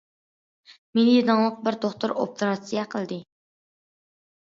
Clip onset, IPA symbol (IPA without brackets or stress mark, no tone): m